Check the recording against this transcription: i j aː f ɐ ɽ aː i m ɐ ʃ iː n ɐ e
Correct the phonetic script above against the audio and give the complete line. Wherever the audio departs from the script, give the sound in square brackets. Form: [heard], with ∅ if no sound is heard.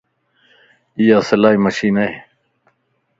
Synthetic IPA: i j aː [s] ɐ [l] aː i m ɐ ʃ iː n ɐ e

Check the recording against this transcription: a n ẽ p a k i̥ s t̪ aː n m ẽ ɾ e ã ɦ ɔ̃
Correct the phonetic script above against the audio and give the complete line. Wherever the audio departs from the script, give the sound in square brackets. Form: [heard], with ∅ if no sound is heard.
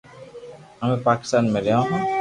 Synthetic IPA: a [m] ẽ p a k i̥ s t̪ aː n m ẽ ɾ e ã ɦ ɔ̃

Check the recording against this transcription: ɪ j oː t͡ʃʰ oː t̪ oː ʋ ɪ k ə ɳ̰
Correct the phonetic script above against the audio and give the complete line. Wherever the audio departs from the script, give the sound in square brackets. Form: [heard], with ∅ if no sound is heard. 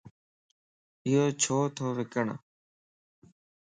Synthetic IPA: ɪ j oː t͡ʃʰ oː [t̪ʰ] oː ʋ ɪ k ə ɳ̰

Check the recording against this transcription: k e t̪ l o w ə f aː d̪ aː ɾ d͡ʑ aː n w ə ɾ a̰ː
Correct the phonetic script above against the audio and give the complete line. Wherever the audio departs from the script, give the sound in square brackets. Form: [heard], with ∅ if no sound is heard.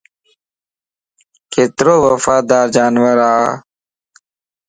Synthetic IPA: k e t̪ [ɾ] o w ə f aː d̪ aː ɾ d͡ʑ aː n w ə ɾ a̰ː

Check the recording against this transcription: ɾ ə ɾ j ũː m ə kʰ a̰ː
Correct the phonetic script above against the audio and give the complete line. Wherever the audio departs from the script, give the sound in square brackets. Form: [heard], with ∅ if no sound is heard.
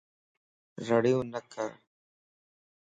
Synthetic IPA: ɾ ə [ɽ] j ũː [n] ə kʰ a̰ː

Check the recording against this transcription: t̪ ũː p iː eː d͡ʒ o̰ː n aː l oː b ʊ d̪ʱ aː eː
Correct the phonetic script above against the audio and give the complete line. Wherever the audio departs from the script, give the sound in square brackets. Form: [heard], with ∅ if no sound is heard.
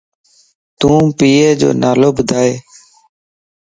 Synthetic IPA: t̪ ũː p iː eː d͡ʒ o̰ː n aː l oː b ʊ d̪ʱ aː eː

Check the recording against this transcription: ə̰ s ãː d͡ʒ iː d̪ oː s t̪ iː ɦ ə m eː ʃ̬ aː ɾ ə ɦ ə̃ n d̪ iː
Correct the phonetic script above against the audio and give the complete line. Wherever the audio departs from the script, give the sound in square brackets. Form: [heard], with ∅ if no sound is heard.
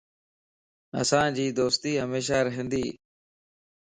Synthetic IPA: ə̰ s ãː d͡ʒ iː d̪ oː s t̪ iː ɦ ə m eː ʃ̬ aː ɾ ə ɦ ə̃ n d̪ iː

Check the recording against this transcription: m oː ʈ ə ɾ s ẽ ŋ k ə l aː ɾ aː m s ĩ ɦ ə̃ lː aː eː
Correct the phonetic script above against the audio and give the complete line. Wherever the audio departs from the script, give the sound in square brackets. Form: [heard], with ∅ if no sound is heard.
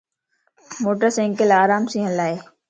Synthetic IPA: m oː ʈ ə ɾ s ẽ ŋ k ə l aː ɾ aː m s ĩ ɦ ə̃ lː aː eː

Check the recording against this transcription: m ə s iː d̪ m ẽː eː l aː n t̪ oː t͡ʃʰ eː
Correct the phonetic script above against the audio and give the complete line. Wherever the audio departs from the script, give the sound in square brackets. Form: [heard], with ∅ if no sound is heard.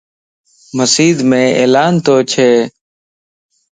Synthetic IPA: m ə s iː d̪ m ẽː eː l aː n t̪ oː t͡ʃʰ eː

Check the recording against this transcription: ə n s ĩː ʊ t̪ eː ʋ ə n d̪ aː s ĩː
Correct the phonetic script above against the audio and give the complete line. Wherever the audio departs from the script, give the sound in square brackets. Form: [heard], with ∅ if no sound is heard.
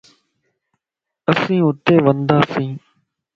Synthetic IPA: ə [∅] s ĩː ʊ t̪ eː ʋ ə n d̪ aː s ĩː

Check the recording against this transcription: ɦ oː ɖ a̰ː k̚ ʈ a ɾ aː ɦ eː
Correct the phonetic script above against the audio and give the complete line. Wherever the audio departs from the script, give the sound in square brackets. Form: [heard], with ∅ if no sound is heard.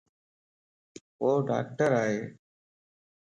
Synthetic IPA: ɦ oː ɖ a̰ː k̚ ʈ [ə] ɾ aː ɦ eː

